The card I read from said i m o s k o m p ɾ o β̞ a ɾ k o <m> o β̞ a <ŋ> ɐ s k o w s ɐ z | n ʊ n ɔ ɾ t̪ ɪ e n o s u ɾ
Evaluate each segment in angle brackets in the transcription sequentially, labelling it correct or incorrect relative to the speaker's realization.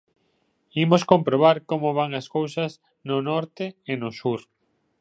correct, correct

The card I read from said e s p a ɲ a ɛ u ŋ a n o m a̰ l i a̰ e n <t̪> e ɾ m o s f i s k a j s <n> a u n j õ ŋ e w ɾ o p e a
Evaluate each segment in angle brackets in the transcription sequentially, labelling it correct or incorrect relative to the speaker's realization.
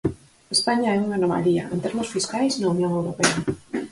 correct, correct

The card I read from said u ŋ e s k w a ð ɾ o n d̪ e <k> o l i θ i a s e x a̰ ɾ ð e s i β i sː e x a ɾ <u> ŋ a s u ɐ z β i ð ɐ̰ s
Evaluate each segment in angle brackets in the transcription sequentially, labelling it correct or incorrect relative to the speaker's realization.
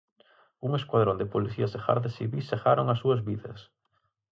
incorrect: p, incorrect: o

